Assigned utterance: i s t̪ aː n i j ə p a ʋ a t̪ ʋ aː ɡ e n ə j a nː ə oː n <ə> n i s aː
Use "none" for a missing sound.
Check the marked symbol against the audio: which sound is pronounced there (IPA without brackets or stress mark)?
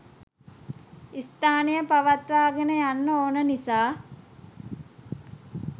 ə